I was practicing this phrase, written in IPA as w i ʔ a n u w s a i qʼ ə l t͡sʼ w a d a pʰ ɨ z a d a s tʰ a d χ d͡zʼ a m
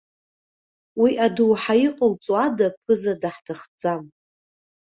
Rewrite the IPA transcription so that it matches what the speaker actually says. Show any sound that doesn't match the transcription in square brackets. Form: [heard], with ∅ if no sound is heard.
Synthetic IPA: w i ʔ a [d] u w [ħ] a i qʼ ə l t͡sʼ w a d a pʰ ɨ z a d a [ħ] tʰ a [∅] χ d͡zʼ a m